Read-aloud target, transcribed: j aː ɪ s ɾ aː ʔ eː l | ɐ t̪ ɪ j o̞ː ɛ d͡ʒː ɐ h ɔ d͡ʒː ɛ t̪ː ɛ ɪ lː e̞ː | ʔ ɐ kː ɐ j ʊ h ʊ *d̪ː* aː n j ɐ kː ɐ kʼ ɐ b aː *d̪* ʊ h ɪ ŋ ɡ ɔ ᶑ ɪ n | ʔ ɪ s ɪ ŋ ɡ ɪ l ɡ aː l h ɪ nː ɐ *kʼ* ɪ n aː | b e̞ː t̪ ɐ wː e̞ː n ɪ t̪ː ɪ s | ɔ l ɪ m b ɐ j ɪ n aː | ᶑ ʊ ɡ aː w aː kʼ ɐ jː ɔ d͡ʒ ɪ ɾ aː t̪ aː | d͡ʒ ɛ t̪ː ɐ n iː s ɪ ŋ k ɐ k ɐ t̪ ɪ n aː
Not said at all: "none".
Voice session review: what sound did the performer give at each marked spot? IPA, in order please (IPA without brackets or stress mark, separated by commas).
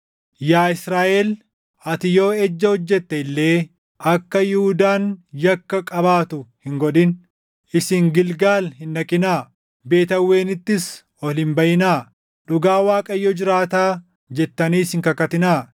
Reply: d̪, t̪, kʼ